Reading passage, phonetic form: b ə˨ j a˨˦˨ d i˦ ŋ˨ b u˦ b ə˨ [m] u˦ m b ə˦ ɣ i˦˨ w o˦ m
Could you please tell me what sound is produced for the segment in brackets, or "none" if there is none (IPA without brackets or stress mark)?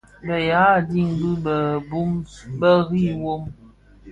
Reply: b